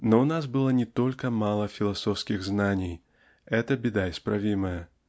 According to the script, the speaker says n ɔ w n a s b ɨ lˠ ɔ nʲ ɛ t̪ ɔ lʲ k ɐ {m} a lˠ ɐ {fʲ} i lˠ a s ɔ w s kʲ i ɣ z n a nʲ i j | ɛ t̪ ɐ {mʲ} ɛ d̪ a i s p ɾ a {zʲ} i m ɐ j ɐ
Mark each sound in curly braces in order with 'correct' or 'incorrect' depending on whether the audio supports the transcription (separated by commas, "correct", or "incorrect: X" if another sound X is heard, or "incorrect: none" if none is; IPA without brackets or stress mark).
correct, correct, incorrect: bʲ, incorrect: vʲ